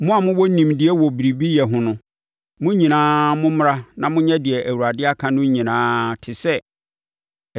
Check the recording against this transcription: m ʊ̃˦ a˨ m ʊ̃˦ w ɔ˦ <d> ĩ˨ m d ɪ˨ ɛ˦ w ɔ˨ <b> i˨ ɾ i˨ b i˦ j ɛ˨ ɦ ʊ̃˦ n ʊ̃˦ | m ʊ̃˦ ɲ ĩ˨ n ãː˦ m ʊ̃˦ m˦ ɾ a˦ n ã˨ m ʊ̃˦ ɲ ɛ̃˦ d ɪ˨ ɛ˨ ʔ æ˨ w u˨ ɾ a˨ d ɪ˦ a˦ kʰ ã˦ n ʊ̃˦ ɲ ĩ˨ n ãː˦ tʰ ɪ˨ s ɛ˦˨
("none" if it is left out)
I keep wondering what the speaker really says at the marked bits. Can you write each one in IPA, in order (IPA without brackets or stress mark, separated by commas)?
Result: n, b